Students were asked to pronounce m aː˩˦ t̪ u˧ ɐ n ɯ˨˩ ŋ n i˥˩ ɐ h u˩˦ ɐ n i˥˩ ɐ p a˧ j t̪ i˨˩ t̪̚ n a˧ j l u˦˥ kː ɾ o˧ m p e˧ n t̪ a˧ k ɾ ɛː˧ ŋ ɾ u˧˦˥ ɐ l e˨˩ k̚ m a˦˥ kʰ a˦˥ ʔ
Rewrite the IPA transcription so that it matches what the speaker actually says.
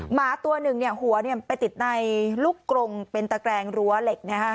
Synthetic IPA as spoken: m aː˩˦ t̪ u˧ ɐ n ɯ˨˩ ŋ n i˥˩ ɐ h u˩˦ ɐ n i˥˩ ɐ p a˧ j t̪ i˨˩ t̪̚ n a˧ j l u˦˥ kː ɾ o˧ ŋ p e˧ n t̪ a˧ k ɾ ɛː˧ ŋ ɾ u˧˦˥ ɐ l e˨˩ k̚ n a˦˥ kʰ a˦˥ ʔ

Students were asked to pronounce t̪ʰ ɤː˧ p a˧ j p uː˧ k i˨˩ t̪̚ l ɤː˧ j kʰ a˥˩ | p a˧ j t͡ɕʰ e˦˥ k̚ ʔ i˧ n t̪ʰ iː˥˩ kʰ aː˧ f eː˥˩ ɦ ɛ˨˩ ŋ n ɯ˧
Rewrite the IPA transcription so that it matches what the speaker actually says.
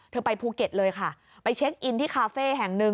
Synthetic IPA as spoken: t̪ʰ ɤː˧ p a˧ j pʰ uː˧ k e˨˩ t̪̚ l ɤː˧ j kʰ a˥˩ | p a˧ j t͡ɕʰ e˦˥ k̚ ʔ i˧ n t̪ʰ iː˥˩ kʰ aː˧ f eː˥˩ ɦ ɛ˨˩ ŋ n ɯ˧

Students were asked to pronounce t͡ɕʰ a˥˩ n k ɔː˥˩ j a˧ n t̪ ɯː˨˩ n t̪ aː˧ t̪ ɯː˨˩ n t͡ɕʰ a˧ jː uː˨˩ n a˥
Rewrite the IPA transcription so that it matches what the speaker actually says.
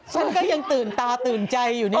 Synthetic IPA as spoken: t͡ɕʰ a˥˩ n k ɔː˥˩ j a˧ ŋ t̪ ɯː˨˩ n t̪ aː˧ t̪ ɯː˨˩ n t͡ɕ a˧ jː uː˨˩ n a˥

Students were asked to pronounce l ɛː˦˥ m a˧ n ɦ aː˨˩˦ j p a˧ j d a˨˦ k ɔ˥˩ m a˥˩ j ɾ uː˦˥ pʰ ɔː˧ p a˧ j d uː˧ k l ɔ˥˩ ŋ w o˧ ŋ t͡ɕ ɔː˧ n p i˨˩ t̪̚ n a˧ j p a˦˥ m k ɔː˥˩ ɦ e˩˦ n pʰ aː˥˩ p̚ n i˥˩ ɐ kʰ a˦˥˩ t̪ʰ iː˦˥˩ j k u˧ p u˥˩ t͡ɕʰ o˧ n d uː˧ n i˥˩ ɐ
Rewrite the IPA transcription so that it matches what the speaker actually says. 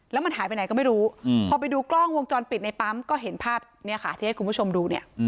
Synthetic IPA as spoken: l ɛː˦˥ m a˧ n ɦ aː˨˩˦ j p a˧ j n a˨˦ k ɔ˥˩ m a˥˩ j ɾ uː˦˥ pʰ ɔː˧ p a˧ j d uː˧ k l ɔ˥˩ ŋ w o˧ ŋ t͡ɕ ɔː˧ n p i˨˩ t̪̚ n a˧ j p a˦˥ m k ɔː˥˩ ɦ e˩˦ n pʰ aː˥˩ p̚ n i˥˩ ɐ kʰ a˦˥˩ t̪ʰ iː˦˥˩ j k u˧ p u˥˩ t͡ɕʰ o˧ m d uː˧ n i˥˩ ɐ

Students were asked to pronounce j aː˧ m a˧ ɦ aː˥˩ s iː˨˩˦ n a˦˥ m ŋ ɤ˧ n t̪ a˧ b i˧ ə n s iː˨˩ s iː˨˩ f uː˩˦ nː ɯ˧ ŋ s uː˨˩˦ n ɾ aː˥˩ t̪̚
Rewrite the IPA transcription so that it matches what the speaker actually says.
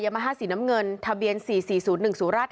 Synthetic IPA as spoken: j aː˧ m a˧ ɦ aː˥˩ s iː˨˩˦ n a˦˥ m ŋ ɤ˧ n t̪ʰ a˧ b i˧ ə n s iː˨˩ s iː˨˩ s uː˩˦ nː ɯ˨˩ ŋ s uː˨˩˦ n ɾ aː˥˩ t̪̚

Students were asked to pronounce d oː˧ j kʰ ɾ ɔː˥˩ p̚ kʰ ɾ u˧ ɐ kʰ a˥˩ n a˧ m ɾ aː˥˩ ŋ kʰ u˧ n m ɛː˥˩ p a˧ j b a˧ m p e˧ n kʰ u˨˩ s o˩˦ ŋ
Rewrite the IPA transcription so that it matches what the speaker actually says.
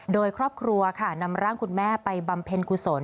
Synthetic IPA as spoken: d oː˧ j kʰ ɾ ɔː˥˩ p̚ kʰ ɾ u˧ ɐ kʰ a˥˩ n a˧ m ɾ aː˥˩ ŋ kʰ u˧ n m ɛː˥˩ p a˧ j b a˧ m pʰ e˧ n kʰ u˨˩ s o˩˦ n

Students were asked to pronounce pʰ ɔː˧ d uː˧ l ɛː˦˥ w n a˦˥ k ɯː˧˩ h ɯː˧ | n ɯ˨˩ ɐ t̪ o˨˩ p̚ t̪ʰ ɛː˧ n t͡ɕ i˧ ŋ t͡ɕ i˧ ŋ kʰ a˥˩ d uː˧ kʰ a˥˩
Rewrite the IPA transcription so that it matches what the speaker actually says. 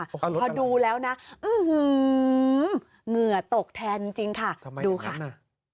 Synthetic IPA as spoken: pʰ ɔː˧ d uː˧ l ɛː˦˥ w n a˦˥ ʔ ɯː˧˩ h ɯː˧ | ŋ ɯ˨˩ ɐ t̪ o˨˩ k̚ t̪ʰ ɛː˧ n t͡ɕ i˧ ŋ t͡ɕ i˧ ŋ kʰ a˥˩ d uː˧ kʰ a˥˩

